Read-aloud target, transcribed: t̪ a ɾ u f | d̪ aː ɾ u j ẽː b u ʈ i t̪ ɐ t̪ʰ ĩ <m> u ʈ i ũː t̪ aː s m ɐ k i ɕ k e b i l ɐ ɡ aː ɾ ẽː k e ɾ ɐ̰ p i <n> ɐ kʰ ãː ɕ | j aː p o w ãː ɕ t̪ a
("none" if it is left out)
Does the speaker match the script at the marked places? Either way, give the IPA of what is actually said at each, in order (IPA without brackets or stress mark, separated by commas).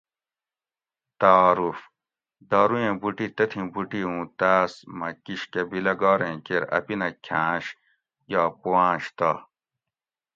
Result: b, n